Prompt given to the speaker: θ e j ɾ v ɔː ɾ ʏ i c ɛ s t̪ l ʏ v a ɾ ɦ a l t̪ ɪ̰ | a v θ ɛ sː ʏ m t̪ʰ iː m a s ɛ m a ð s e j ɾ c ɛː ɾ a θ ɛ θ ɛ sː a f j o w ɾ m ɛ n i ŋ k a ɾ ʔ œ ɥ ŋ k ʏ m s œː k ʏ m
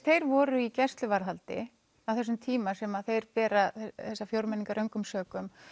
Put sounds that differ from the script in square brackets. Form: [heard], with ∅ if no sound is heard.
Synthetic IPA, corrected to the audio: θ e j ɾ v ɔː ɾ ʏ i c ɛ s t̪ l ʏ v a ɾ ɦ a l t̪ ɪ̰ | a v θ ɛ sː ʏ m t̪ʰ iː m a s ɛ m a ð [θ] e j ɾ [p] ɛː ɾ a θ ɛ θ ɛ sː a f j o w ɾ m ɛ n i ŋ k a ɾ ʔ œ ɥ ŋ k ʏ m s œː k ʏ m